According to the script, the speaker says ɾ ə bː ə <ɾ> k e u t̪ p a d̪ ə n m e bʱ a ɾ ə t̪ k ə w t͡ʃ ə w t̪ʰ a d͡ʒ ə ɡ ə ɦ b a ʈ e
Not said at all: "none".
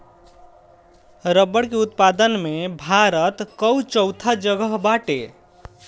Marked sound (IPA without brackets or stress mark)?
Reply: ɽ